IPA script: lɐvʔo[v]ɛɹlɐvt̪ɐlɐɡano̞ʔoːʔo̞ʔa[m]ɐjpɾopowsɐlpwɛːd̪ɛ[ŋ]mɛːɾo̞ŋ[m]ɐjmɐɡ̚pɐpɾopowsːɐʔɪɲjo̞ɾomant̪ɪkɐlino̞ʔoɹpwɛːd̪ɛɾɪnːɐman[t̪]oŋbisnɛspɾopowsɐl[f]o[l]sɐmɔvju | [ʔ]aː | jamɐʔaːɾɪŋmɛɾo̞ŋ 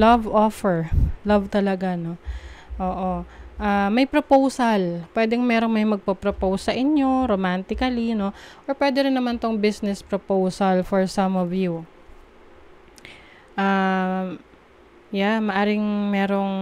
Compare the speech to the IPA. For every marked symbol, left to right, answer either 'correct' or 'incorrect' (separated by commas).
incorrect, correct, correct, correct, correct, correct, incorrect, correct